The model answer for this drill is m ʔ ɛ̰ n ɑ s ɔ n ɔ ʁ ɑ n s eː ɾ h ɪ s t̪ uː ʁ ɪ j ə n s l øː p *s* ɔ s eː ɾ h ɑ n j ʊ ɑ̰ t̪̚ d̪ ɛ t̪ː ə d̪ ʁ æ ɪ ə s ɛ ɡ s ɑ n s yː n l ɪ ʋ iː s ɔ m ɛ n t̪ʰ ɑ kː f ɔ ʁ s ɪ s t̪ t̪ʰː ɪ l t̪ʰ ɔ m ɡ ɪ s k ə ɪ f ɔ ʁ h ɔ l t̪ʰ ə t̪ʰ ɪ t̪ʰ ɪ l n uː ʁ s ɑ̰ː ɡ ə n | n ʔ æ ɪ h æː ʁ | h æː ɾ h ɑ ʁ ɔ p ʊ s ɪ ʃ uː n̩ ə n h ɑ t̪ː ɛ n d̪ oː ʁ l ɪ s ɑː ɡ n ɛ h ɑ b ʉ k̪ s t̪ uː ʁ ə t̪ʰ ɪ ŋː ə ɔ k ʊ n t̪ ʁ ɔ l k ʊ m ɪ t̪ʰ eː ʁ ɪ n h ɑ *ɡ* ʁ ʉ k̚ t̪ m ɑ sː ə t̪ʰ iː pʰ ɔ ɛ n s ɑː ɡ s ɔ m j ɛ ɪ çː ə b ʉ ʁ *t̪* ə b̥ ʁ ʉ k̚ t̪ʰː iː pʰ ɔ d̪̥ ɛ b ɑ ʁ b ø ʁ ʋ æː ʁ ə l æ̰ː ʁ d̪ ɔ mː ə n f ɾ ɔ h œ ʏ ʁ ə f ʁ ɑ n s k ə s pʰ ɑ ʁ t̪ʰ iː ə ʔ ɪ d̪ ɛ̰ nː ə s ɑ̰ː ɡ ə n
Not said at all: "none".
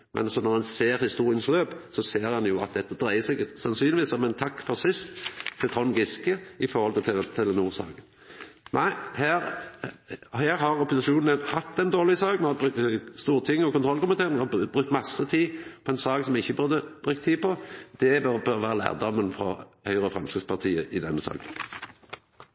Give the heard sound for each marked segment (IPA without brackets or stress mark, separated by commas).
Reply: s, b, d̪